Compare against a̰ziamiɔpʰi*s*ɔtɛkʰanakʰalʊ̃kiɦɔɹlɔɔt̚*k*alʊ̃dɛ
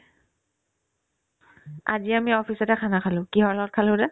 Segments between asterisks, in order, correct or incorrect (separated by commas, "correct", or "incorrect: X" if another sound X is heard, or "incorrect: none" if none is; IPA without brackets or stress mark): correct, incorrect: kʰ